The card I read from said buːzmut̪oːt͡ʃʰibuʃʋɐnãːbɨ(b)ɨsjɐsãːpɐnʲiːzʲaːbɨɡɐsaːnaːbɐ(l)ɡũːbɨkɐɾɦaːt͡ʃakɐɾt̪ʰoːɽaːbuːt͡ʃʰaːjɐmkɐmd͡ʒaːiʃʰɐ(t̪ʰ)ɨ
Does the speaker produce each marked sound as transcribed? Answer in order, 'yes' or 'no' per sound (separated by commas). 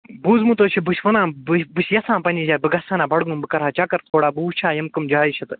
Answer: yes, no, no